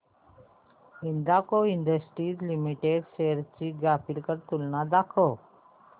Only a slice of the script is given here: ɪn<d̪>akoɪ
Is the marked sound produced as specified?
yes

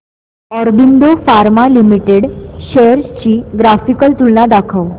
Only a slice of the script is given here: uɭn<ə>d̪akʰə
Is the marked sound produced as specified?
no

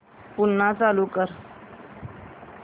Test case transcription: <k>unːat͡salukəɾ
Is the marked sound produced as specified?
no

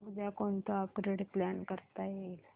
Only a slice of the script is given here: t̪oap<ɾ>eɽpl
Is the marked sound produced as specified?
yes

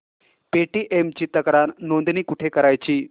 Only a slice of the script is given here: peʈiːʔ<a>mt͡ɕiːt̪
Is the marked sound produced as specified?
no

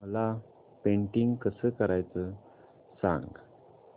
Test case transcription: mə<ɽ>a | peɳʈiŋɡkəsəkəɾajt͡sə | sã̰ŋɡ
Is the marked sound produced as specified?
no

